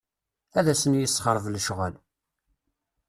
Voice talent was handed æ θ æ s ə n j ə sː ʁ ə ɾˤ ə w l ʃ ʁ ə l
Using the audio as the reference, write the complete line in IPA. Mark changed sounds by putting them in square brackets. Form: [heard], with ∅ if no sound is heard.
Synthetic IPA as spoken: æ [ð] æ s ə n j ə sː [χ] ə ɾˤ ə [v] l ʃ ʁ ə l